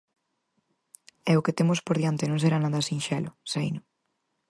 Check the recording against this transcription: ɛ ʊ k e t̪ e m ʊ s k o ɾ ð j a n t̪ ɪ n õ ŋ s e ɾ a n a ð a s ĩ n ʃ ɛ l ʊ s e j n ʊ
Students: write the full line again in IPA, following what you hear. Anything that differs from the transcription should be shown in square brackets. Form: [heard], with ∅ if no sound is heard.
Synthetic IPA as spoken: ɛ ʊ k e t̪ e m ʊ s [p] o ɾ ð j a n t̪ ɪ n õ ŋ s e ɾ a n a ð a s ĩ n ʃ ɛ l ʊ s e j n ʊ